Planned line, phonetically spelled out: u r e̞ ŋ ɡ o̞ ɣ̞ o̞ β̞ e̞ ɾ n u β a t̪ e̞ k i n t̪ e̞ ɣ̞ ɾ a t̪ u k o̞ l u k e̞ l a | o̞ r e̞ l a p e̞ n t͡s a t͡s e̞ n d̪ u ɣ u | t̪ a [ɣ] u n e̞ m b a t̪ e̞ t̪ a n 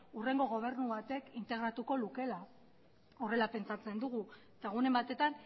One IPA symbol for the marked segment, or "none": ɣ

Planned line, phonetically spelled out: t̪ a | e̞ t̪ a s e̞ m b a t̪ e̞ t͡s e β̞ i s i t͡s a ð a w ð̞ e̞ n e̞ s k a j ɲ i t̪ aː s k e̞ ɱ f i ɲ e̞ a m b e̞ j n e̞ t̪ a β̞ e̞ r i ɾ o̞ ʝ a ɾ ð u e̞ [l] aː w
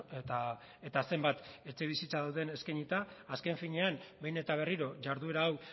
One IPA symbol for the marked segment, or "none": ɾ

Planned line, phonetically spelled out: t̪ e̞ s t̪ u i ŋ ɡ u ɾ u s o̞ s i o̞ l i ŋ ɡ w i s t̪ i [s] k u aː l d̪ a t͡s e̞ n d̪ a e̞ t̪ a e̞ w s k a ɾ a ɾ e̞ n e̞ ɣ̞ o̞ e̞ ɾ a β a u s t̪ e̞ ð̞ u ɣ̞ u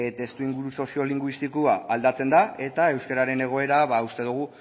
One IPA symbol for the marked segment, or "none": none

